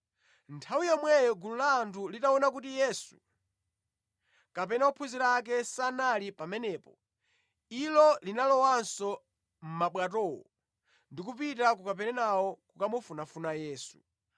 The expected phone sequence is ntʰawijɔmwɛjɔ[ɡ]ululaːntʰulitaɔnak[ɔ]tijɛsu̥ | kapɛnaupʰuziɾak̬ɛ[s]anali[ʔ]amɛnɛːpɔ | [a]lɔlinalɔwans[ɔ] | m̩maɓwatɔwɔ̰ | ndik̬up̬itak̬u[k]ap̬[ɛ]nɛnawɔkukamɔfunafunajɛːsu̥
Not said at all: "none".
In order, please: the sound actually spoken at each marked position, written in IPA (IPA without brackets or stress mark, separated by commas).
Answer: ɡ, u, s, p, i, ɔ, k, ɛ